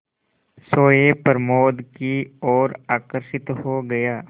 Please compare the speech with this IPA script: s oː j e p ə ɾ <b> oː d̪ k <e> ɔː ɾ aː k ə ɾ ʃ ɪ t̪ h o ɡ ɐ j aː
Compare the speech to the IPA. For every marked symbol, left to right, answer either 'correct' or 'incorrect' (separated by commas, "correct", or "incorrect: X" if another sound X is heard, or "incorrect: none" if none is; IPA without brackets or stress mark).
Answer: incorrect: m, incorrect: i